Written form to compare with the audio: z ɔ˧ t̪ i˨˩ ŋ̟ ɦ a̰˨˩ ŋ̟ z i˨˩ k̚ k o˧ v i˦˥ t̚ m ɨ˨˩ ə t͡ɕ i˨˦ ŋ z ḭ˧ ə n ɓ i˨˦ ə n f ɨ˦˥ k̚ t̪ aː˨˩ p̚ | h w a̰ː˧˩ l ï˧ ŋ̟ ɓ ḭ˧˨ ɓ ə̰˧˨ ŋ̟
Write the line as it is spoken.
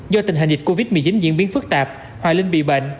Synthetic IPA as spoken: z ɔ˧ t̪ i˨˩ ŋ̟ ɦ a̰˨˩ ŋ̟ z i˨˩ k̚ k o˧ v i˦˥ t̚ m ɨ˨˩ ə t͡ɕ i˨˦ n z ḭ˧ ə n ɓ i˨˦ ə n f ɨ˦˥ k̚ t̪ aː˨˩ p̚ | h w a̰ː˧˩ l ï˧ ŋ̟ ɓ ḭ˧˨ ɓ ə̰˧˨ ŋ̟